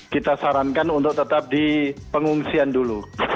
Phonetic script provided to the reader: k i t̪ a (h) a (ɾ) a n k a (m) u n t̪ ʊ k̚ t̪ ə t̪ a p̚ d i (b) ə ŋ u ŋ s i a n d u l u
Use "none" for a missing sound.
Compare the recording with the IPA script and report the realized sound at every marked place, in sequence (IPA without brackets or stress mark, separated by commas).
s, ɾ, n, p